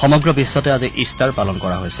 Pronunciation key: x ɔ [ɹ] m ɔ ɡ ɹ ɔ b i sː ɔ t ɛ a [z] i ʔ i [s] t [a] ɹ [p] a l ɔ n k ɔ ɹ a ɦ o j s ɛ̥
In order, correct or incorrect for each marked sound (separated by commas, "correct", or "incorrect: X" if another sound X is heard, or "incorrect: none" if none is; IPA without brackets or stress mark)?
incorrect: none, correct, correct, correct, correct